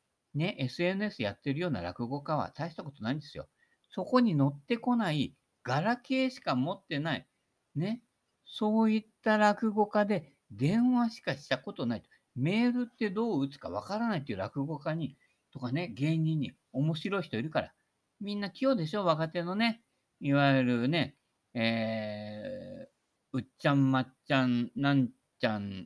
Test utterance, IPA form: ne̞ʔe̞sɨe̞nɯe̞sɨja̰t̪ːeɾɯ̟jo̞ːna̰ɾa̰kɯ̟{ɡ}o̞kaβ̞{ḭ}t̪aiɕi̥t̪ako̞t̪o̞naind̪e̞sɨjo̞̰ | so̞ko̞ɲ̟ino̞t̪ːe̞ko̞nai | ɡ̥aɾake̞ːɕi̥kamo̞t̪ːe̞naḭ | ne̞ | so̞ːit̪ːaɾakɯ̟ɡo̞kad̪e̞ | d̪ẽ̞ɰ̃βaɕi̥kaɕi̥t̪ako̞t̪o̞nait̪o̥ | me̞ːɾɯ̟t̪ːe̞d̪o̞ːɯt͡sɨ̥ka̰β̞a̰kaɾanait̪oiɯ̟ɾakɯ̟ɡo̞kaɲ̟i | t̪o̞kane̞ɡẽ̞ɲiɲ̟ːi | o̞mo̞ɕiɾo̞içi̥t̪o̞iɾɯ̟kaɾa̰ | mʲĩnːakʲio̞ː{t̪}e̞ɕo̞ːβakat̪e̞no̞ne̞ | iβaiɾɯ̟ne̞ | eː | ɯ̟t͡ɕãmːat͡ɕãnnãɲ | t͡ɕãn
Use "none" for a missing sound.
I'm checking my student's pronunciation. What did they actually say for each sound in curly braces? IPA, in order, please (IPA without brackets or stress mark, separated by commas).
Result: ɡ, a̰, d̪